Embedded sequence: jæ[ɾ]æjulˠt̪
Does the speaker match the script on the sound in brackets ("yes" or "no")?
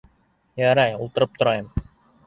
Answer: yes